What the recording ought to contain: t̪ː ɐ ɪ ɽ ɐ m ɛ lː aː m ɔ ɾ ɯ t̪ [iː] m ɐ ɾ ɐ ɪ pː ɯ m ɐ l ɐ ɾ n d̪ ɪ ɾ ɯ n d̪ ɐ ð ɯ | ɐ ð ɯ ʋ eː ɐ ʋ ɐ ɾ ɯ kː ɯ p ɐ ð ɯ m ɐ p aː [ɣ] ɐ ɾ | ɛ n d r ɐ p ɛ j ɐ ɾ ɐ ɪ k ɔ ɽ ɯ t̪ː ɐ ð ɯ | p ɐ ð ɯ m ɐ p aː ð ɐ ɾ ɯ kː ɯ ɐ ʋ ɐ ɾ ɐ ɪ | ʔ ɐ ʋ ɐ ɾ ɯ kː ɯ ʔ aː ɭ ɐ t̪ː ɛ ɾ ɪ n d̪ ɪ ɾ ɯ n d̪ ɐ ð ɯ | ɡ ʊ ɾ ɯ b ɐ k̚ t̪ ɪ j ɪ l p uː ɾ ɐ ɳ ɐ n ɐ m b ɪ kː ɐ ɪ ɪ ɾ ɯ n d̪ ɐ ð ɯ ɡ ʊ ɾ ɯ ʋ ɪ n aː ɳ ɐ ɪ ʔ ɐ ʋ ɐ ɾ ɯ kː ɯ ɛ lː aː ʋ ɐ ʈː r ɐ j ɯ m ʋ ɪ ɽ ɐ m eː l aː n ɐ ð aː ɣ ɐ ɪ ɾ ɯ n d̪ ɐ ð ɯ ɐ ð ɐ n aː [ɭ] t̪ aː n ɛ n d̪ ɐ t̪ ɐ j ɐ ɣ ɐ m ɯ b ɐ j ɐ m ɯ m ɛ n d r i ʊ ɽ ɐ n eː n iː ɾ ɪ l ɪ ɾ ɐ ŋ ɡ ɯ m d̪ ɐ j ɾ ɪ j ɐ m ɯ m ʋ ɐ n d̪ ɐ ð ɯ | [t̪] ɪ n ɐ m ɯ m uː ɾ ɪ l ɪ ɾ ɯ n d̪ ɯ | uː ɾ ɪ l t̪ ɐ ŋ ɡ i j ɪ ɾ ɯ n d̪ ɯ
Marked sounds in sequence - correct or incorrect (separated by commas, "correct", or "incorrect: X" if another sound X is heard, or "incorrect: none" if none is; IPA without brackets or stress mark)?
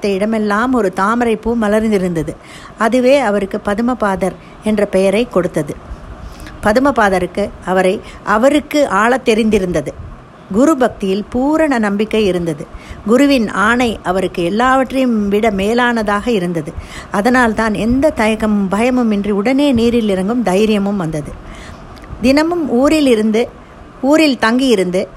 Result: incorrect: aː, incorrect: ð, incorrect: l, incorrect: d̪